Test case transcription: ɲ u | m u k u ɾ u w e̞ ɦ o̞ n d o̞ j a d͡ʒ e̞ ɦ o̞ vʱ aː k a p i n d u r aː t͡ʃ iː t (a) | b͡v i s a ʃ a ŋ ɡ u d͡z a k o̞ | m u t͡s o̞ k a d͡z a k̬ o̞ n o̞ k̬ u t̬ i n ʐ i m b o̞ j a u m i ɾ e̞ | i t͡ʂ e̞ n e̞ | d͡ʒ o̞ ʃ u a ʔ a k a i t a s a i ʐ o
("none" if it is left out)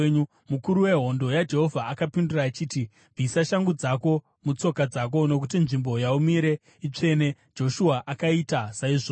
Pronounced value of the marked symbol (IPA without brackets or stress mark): i